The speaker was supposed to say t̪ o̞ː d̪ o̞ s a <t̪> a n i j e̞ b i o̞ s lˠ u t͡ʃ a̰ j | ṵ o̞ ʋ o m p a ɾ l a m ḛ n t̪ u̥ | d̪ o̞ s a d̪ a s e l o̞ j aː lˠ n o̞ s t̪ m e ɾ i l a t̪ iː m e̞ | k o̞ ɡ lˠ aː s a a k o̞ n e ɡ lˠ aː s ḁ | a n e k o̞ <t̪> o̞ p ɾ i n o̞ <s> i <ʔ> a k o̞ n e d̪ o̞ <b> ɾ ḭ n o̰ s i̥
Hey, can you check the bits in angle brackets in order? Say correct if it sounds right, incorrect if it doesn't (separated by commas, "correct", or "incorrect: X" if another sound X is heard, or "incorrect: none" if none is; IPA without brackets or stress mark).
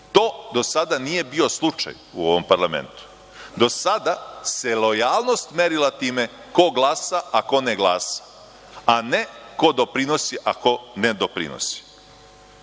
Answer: incorrect: d̪, incorrect: d̪, correct, correct, incorrect: p